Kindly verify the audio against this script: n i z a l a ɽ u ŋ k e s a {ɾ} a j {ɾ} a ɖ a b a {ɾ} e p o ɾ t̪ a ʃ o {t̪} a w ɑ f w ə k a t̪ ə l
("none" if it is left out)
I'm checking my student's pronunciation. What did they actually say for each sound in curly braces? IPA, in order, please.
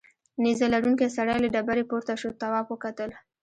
ɽ, l, ɾ, t̪

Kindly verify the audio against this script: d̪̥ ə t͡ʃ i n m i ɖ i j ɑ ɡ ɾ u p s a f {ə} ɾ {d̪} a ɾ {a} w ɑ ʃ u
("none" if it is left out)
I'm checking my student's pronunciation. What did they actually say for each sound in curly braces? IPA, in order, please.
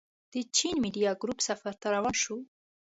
a, t̪, a

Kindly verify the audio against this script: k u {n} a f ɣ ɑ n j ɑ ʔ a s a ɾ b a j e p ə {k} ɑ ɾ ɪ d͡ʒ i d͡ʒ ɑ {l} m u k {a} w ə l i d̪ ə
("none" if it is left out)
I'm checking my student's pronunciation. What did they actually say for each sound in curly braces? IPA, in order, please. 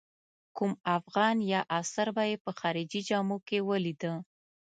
m, x, none, e

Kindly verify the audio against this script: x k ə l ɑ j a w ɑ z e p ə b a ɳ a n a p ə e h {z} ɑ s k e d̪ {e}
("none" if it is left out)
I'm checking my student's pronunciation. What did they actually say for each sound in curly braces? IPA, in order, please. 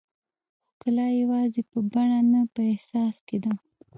s, a

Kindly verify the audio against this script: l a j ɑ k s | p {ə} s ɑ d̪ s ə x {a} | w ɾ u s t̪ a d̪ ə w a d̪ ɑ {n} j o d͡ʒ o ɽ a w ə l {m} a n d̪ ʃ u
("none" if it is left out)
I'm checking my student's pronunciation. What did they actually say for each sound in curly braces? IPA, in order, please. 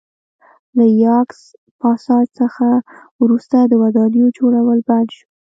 ɑ, a, n, b

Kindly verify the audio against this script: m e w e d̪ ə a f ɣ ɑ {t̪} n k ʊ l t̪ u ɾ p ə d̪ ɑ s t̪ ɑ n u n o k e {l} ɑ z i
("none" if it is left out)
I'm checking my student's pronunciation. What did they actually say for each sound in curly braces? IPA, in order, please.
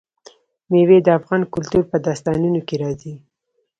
none, ɾ

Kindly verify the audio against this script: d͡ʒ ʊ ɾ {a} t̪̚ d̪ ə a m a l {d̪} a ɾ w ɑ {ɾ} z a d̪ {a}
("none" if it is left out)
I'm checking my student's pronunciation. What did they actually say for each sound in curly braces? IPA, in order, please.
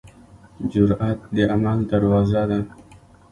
a, d̪, none, a

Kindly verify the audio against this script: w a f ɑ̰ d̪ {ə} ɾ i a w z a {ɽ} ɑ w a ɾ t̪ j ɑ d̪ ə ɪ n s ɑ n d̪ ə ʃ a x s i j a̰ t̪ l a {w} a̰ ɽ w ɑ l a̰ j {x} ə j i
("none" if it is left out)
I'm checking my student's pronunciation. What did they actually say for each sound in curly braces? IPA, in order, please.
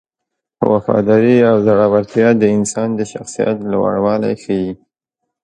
ɑ, ɽ, w, x

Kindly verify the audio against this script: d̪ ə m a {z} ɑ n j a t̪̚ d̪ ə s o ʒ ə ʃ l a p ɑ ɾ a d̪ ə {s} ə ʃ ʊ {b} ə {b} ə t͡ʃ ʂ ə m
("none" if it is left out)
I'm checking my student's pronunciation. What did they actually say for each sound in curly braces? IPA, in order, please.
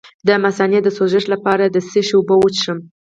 s, s, b, w

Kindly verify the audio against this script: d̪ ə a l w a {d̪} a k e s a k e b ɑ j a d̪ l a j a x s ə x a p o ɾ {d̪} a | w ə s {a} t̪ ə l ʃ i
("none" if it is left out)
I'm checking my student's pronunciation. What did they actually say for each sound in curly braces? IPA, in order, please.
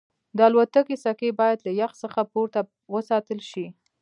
t̪, t̪, ɑ

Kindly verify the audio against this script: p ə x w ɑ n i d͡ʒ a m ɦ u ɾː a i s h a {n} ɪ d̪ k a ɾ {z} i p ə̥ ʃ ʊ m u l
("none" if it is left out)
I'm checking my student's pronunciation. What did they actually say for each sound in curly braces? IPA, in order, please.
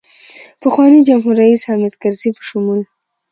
m, z

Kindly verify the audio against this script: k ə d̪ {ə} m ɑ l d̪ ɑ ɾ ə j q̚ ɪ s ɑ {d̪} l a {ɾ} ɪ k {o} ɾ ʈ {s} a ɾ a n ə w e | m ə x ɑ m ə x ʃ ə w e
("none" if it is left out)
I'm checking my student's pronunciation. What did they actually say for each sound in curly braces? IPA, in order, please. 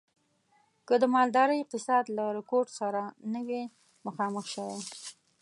ə, d̪, ɾ, o, s

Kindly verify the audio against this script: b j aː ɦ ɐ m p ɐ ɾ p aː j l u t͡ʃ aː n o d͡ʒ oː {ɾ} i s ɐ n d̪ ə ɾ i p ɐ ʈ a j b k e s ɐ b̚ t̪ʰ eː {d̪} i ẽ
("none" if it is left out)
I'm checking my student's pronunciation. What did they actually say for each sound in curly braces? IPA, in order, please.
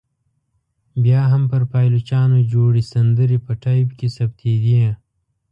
ɽ, d̪

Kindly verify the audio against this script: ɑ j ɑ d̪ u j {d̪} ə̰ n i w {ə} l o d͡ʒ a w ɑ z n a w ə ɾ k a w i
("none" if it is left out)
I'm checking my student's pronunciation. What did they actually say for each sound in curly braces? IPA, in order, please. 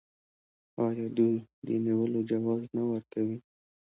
d̪, ə

